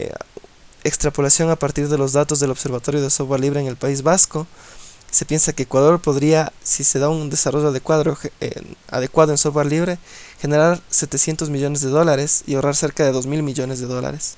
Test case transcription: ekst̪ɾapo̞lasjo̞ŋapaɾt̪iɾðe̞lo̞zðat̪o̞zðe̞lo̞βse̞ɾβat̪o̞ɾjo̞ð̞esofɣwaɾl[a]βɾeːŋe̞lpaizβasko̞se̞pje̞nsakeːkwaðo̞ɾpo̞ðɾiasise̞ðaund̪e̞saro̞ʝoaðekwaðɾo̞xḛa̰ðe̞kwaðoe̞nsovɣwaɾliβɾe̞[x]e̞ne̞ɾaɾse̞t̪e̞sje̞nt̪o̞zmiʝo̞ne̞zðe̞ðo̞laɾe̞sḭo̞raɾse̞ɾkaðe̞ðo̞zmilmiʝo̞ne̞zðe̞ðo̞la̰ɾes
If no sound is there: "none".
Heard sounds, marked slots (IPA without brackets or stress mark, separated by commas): i, x